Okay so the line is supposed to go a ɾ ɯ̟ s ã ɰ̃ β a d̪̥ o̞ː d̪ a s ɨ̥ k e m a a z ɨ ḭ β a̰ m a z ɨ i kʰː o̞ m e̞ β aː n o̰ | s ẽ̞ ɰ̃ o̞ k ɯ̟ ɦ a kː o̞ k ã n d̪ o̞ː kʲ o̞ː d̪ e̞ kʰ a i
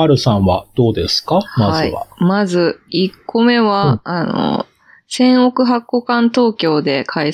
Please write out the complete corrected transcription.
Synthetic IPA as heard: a ɾ ɯ̟ s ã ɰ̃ β a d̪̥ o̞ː d̪ e s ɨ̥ k a m a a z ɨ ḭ β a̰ m a z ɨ i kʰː o̞ m e̞ β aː n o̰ | s ẽ̞ ɰ̃ o̞ k ɯ̟ ɦ a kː o̞ k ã n t̪ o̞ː kʲ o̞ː d̪ e̞ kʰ a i